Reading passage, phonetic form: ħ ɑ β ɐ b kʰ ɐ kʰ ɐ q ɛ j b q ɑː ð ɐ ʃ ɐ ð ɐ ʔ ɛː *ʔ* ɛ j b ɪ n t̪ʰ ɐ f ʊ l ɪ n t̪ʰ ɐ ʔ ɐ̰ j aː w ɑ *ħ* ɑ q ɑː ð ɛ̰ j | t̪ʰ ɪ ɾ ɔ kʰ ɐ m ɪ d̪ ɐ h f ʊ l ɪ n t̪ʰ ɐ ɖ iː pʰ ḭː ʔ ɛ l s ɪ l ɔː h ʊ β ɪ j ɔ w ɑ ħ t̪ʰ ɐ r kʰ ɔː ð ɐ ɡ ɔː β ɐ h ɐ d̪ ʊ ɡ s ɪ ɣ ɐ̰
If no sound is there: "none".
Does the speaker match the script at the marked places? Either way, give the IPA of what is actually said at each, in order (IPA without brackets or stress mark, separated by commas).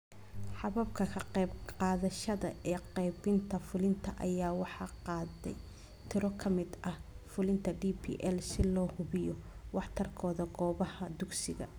q, ħ